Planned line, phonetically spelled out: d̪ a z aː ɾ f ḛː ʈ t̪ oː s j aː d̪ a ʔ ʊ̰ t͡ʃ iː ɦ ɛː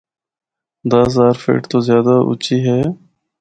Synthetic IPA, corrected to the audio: d̪ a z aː ɾ f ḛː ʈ t̪ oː z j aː d̪ a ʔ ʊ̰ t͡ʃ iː ɦ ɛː

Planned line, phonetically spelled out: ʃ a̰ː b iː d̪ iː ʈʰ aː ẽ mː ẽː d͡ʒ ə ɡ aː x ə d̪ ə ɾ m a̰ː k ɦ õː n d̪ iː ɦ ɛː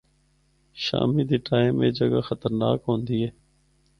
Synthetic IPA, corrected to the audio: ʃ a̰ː m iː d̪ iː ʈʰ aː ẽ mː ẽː d͡ʒ ə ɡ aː x ə t̪ ə ɾ n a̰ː k ɦ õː n d̪ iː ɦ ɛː

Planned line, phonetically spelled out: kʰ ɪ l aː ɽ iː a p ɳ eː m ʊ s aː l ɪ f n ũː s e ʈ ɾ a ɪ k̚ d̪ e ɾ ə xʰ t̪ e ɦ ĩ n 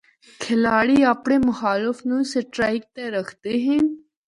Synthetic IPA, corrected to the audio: kʰ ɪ l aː ɽ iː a p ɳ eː m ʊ x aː l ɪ f n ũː s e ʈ ɾ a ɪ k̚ t̪ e ɾ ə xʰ t̪ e ɦ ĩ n

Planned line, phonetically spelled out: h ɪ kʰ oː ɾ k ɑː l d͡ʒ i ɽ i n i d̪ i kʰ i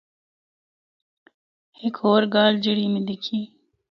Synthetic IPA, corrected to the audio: h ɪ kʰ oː ɾ ɡ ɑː l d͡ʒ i ɽ i m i d̪ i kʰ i

